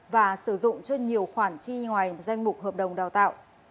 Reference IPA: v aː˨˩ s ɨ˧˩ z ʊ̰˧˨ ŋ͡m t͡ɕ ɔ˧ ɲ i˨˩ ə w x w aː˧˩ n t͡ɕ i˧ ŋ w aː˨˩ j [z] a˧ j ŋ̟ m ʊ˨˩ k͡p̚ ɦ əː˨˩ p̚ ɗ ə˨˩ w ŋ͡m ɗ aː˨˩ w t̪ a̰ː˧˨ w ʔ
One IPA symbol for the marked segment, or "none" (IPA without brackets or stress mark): z